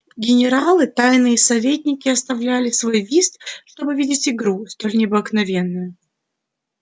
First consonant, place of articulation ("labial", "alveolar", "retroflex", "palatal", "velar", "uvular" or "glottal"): velar